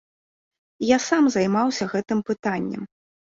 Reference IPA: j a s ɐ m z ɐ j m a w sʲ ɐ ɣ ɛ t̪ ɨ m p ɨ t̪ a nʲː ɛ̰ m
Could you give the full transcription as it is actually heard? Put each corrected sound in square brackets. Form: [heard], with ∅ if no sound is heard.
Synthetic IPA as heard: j a s [a] m z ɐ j m a w sʲ ɐ ɣ ɛ t̪ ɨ m p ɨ t̪ a nʲː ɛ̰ m